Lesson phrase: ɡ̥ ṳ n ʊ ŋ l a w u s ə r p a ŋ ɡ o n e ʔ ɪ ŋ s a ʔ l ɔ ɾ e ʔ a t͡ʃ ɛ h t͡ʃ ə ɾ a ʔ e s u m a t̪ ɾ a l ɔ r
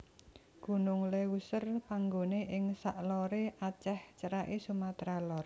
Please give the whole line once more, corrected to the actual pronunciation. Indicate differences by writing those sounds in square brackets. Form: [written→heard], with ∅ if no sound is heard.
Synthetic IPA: ɡ̥ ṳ n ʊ ŋ l [a→e] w u s ə r p a ŋ ɡ o n e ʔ ɪ ŋ s a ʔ l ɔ ɾ e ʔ a t͡ʃ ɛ h t͡ʃ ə ɾ a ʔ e s u m a t̪ ɾ a l ɔ r